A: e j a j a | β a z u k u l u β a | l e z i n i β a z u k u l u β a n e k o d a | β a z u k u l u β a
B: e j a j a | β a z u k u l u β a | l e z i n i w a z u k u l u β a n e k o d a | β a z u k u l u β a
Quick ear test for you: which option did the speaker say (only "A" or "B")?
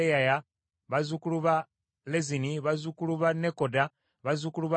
A